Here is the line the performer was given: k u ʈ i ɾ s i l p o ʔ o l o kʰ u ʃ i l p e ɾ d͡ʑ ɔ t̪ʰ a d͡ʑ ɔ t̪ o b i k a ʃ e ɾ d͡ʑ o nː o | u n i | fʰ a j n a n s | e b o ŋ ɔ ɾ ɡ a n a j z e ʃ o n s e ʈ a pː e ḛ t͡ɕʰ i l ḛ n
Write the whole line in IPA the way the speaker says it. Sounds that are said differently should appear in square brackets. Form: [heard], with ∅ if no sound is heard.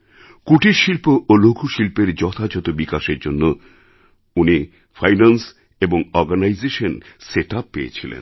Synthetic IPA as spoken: k u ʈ i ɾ [ʃ] i l p o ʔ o l o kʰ u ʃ i l p e ɾ d͡ʑ ɔ t̪ʰ a d͡ʑ ɔ t̪ o b i k a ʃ e ɾ d͡ʑ o nː o | u n i | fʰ a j n a n s | e b o ŋ ɔ ɾ ɡ a n a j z e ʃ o n s e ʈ a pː e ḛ t͡ɕʰ i l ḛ n